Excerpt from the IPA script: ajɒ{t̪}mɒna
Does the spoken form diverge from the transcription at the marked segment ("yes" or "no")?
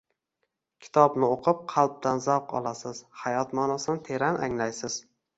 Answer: no